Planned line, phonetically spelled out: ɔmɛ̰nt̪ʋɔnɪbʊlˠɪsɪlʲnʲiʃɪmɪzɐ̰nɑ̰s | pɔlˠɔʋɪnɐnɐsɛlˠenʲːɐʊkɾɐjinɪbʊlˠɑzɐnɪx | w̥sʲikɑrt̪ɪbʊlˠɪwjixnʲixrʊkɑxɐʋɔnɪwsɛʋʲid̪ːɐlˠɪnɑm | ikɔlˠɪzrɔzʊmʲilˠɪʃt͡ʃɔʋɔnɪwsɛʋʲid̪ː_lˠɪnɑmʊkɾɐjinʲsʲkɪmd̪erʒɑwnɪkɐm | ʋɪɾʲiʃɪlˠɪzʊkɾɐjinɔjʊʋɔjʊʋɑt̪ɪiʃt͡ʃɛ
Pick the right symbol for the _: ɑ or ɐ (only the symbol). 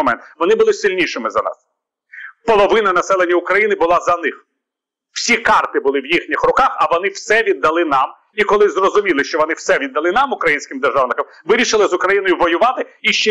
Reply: ɐ